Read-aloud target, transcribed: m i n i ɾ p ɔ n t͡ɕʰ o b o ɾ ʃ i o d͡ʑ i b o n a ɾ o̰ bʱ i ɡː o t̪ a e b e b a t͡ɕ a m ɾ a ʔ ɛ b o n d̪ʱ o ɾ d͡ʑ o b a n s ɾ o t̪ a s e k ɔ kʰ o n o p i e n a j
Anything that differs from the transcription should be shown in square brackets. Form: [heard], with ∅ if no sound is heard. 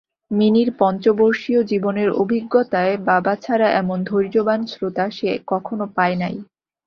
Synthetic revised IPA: m i n i ɾ p ɔ n [t͡ɕ] o b o ɾ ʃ i o d͡ʑ i b o n [e] ɾ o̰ bʱ i ɡː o t̪ a e b [a] b a [t͡ɕʰ] a [∅] ɾ a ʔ ɛ [m] o n d̪ʱ o ɾ d͡ʑ o b a n s ɾ o t̪ a [ʃ] e k ɔ kʰ o n o p [a] e n a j

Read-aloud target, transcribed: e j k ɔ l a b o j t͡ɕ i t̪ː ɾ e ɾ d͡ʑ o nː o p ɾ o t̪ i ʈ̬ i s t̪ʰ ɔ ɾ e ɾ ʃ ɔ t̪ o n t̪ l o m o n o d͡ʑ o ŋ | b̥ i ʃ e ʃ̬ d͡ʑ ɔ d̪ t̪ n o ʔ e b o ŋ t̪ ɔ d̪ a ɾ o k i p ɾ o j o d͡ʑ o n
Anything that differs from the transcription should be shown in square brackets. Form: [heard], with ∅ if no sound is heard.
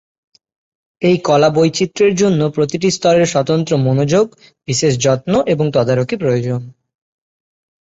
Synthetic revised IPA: e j k ɔ l a b o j t͡ɕ i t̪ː ɾ e ɾ d͡ʑ o nː o p ɾ o t̪ i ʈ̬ i s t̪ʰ ɔ ɾ e ɾ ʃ ɔ t̪ o n t̪ [ɾ] o m o n o d͡ʑ o [ɡ] | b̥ i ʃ e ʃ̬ d͡ʑ ɔ [∅] t̪ n o ʔ e b o ŋ t̪ ɔ d̪ a ɾ o k i p ɾ o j o d͡ʑ o n

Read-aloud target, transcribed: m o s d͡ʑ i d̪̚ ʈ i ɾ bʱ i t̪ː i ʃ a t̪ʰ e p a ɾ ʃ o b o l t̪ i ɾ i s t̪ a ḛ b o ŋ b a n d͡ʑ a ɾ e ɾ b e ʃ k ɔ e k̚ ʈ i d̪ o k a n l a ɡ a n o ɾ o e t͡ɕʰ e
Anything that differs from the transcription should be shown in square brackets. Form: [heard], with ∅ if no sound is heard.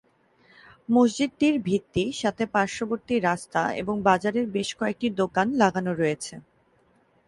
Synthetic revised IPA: m o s d͡ʑ i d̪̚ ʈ i ɾ bʱ i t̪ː i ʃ a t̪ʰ e p a ɾ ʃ o b o [ɾ] t̪ i ɾ [a] s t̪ a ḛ b o ŋ b a [∅] d͡ʑ a ɾ e ɾ b e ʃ k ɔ e k̚ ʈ i d̪ o k a n l a ɡ a n o ɾ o e t͡ɕʰ e

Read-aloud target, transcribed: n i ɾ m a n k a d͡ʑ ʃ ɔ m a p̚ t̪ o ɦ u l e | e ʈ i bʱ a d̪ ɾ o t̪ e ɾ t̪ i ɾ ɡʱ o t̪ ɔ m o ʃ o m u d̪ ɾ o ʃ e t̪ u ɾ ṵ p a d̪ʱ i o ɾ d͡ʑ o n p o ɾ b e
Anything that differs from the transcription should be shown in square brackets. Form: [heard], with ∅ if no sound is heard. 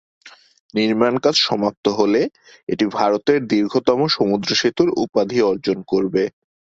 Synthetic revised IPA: n i ɾ m a n k a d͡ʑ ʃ ɔ m a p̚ t̪ o ɦ [o] l e | e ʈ i bʱ a [∅] ɾ o t̪ e ɾ [d̪] i ɾ ɡʱ o t̪ ɔ m o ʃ o m u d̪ ɾ o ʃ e t̪ u ɾ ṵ p a d̪ʱ i [ɔ] ɾ d͡ʑ o n [k] o ɾ b e

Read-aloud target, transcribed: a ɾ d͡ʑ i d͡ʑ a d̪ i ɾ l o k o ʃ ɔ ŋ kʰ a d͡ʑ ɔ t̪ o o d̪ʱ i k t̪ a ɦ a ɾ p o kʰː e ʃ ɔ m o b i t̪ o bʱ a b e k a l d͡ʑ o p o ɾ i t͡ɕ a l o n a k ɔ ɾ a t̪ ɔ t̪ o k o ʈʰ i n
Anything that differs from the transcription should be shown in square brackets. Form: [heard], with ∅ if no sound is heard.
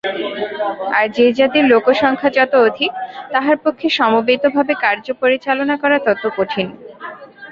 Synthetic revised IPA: a ɾ d͡ʑ [e] d͡ʑ a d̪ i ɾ l o k o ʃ ɔ ŋ kʰ a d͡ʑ ɔ t̪ o o d̪ʱ i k t̪ a ɦ a ɾ p o kʰː e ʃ ɔ m o b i t̪ o bʱ a b e k a [ɾ] d͡ʑ o p o ɾ i t͡ɕ a l o n a k ɔ ɾ a t̪ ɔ t̪ o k o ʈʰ i n

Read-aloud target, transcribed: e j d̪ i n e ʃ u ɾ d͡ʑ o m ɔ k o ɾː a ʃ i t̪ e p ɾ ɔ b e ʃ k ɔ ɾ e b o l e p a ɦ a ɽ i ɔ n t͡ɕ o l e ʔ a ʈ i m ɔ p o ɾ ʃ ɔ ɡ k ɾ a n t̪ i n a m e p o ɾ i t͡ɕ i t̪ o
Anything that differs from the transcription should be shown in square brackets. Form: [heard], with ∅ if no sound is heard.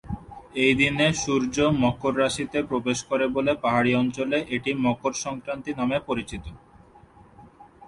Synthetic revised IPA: e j d̪ i n e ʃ u ɾ d͡ʑ o m ɔ k o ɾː a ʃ i t̪ e p ɾ [o] b e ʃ k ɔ ɾ e b o l e p a ɦ a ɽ i ɔ n t͡ɕ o l e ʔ [e] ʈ i m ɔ [k] o ɾ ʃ ɔ [ŋ] k ɾ a n t̪ i n a m e p o ɾ i t͡ɕ i t̪ o

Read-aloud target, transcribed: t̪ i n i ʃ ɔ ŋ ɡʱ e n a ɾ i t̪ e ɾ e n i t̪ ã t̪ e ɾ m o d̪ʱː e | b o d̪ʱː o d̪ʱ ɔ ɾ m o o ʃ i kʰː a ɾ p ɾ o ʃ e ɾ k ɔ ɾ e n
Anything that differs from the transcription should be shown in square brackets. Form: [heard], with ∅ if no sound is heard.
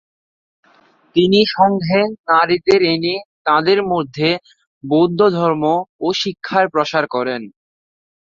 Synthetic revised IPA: t̪ i n i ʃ ɔ ŋ ɡʱ e n a ɾ i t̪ e ɾ e n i t̪ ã [d̪] e ɾ m o d̪ʱː e | b o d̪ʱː o d̪ʱ ɔ ɾ m o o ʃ i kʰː a ɾ p ɾ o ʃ [a] ɾ k ɔ ɾ e n

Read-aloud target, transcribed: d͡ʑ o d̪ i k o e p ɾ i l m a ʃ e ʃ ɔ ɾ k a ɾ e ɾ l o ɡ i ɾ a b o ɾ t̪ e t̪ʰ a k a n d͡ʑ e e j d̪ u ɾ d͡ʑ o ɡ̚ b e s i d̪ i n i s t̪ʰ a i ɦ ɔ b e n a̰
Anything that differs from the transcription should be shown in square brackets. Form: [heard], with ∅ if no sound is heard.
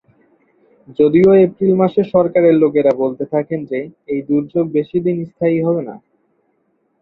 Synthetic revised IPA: d͡ʑ o d̪ i [∅] o e p ɾ i l m a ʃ e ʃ ɔ ɾ k a ɾ e ɾ l o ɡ [e] ɾ a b o [l] t̪ e t̪ʰ a k [e] n d͡ʑ e e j d̪ u ɾ d͡ʑ o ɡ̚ b e [ʃ] i d̪ i n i s t̪ʰ a i ɦ ɔ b e n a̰

